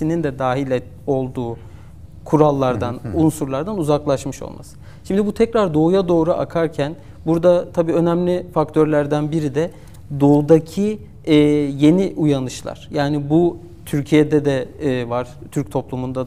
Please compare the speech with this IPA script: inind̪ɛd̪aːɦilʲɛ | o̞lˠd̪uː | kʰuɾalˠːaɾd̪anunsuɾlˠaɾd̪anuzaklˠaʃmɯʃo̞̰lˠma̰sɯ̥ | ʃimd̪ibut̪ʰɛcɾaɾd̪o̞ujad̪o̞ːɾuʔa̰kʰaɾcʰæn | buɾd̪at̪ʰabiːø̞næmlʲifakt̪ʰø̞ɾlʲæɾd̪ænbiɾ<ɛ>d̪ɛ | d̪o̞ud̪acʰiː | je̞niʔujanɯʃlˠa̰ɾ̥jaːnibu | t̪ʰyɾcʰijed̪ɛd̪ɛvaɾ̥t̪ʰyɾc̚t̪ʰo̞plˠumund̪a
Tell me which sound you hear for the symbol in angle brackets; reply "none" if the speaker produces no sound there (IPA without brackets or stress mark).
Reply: i